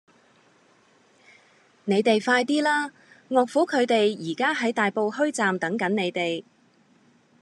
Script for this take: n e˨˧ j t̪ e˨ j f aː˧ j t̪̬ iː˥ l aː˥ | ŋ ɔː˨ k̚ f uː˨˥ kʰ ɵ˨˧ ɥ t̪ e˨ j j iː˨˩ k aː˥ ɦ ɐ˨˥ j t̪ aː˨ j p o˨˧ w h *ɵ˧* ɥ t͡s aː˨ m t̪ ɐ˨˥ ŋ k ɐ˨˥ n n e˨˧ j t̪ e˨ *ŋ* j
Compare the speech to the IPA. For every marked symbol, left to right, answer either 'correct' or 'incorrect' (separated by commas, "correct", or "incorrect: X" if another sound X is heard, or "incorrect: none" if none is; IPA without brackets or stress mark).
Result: incorrect: ɵ˥, incorrect: none